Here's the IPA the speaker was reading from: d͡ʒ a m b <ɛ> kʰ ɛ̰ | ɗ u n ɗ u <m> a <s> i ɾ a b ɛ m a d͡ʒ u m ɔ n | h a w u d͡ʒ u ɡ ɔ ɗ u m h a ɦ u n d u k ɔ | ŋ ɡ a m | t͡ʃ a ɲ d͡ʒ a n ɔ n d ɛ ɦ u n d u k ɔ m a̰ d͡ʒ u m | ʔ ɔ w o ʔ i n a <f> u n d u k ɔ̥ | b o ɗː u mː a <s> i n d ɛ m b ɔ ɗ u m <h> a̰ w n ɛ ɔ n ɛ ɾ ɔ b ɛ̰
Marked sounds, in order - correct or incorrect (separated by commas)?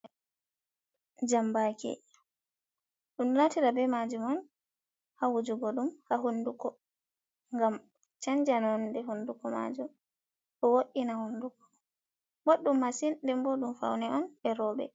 incorrect, incorrect, incorrect, incorrect, correct, incorrect